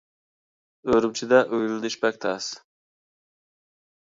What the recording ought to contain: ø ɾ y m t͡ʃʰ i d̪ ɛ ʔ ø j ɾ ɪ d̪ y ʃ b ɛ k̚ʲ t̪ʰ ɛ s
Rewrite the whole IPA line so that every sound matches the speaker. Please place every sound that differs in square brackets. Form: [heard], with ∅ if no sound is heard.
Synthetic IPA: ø ɾ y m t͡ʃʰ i d̪ ɛ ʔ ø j [l] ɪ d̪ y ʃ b ɛ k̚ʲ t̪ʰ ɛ s